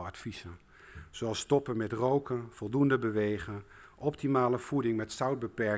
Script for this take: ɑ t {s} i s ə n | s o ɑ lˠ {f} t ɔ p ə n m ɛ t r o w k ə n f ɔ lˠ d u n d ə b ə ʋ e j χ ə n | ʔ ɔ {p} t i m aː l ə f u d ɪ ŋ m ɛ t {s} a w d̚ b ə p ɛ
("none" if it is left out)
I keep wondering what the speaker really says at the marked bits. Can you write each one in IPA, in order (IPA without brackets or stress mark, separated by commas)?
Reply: f, s, p, s